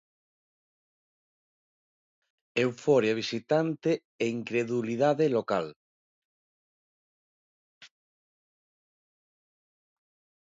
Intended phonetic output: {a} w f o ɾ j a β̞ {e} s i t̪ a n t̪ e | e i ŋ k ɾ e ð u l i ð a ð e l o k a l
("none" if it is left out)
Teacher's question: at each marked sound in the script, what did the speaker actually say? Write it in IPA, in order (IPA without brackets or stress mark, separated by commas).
e, i